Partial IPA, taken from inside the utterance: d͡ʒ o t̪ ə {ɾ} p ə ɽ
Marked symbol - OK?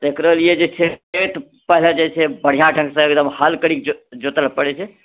no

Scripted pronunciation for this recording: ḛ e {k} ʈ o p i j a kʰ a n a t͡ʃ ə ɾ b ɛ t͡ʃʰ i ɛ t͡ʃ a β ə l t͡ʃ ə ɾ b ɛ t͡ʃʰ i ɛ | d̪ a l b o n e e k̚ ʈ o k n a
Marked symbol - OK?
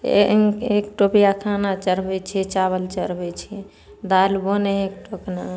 yes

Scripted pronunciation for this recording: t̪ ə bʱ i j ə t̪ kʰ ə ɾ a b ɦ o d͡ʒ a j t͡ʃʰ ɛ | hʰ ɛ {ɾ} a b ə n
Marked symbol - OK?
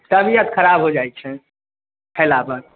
no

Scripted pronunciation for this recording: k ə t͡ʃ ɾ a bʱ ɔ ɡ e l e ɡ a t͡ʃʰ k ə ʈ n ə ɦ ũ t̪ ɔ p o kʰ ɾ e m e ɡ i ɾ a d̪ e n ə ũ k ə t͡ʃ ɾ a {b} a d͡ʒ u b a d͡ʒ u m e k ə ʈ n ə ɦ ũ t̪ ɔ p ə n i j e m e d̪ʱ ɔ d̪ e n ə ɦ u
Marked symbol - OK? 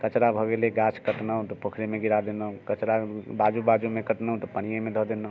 yes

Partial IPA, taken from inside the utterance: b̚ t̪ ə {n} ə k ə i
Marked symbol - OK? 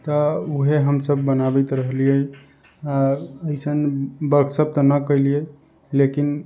yes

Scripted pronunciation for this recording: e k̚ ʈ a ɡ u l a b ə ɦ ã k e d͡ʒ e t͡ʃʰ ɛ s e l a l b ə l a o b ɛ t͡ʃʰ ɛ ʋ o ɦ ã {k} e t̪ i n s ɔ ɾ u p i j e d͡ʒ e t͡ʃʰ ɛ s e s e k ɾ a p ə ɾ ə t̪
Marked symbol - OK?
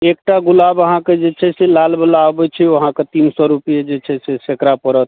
yes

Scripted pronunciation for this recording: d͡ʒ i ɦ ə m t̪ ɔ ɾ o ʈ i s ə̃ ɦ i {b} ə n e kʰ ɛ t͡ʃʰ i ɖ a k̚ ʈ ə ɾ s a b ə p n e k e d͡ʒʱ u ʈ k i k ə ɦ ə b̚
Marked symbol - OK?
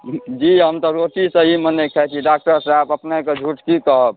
no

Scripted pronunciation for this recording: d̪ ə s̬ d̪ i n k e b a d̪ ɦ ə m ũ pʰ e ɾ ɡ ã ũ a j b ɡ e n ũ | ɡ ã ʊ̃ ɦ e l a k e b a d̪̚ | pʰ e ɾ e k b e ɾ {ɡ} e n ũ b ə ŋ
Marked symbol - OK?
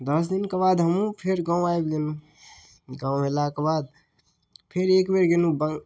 yes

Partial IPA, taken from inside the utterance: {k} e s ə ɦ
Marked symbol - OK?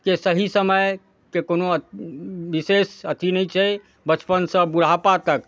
yes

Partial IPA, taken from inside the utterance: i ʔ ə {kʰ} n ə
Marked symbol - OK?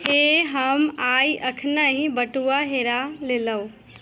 yes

